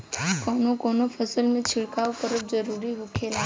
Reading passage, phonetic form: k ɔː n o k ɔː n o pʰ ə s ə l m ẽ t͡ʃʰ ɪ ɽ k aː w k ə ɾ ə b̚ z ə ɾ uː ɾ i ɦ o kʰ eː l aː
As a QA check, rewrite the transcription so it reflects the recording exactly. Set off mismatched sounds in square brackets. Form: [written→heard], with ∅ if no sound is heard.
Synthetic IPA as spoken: k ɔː n o k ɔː n o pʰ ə s ə l m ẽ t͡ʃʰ ɪ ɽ k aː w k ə ɾ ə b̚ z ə ɾ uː ɾ i ɦ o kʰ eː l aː